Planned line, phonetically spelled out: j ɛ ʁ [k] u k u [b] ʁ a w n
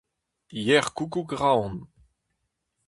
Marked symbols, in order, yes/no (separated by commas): yes, no